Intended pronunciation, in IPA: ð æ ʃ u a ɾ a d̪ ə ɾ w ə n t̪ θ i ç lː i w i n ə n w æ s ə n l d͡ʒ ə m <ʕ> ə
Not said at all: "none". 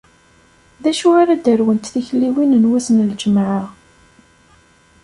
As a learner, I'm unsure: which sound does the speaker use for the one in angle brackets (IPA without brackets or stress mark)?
ʕ